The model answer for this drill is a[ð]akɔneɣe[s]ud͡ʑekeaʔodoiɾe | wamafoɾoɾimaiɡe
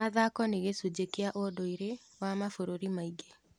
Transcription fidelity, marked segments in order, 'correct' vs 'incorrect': correct, correct

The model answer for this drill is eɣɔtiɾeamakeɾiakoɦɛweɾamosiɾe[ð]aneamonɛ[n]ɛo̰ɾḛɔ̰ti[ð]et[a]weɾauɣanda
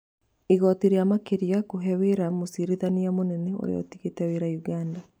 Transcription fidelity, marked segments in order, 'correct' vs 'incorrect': correct, correct, incorrect: ɣ, incorrect: ɛ

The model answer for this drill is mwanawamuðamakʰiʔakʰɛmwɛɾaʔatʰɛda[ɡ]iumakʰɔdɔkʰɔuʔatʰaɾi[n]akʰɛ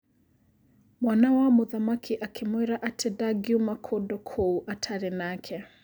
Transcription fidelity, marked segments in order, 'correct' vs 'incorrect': correct, correct

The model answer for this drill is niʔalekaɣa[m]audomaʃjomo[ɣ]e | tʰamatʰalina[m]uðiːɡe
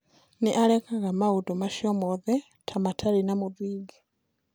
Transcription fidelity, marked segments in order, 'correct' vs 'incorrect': correct, incorrect: ð, correct

